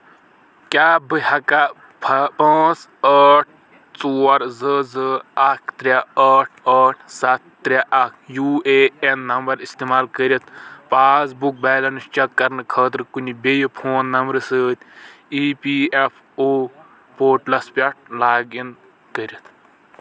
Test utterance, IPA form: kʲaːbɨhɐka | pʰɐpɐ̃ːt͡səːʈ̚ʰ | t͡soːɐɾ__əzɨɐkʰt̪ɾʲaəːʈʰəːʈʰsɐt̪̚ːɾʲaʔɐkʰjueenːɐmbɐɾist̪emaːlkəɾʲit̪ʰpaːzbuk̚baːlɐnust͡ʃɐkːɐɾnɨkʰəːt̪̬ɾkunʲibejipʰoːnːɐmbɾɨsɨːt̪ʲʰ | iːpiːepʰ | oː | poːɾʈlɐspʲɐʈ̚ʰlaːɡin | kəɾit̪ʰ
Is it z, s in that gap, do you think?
z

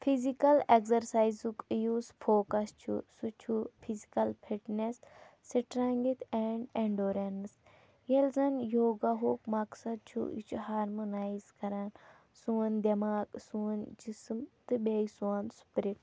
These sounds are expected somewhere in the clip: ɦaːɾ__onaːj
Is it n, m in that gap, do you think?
m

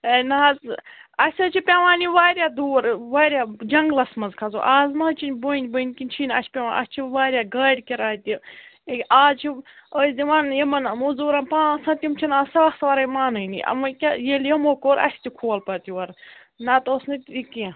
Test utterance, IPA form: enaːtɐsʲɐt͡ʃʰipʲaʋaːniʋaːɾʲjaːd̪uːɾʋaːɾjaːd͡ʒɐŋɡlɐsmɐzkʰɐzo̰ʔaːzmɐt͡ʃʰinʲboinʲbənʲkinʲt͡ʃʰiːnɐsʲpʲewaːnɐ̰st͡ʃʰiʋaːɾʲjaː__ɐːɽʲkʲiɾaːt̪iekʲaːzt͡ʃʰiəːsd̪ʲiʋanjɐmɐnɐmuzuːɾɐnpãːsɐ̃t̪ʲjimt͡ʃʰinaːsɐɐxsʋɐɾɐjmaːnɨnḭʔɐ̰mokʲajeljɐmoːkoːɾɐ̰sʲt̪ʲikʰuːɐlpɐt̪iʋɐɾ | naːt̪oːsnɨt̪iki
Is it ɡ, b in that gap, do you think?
ɡ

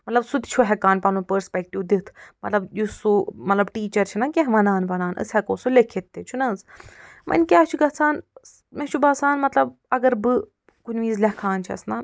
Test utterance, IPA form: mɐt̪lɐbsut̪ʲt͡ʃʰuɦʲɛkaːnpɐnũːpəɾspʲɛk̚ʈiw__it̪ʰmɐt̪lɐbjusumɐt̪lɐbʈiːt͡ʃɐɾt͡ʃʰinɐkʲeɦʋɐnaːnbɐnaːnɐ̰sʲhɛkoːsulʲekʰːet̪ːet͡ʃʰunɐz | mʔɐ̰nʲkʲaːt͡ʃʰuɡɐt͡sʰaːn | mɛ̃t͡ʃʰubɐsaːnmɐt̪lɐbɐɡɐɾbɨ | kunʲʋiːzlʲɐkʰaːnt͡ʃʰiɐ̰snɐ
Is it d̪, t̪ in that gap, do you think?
d̪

